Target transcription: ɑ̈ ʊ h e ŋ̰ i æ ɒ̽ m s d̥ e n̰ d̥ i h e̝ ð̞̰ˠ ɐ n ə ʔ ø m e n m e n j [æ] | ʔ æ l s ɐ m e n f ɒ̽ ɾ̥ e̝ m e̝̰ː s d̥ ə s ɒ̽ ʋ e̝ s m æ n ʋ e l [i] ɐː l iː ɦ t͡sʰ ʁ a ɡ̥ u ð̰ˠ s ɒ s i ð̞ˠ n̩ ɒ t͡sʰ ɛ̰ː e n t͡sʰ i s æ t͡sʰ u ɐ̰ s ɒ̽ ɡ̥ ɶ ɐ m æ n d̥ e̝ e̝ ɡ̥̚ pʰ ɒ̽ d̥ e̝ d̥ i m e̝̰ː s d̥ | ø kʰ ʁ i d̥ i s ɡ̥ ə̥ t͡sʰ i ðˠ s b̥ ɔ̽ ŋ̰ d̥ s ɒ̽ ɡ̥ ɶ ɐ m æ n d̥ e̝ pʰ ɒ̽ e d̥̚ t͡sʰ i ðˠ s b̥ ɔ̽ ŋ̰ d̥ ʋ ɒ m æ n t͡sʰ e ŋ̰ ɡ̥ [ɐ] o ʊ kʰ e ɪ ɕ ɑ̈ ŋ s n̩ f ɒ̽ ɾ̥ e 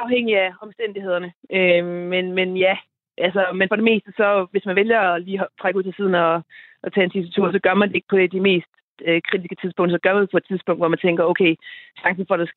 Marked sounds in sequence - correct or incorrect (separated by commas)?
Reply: correct, incorrect, correct